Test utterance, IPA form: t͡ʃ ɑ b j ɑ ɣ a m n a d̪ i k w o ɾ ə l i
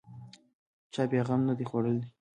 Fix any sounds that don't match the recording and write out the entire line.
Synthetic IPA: t͡ʃ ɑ b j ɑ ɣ a m n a d̪ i x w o ɽ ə l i